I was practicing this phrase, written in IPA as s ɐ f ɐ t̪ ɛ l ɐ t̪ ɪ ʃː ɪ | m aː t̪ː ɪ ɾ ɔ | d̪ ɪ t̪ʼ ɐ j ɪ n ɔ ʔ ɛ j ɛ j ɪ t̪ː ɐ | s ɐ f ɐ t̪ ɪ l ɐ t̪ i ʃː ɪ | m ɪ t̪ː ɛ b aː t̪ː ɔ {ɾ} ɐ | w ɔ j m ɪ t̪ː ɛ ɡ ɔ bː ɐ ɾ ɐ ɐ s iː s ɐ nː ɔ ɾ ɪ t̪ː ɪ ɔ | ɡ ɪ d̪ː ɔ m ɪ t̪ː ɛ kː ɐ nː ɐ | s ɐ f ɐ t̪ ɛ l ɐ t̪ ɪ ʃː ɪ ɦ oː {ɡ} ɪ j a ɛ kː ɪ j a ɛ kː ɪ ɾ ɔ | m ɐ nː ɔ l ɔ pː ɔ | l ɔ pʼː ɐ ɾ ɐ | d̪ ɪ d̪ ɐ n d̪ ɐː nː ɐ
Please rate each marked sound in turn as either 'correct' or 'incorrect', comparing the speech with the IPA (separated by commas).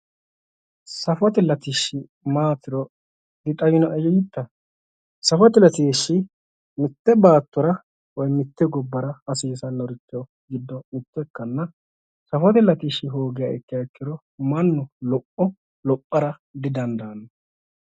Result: correct, correct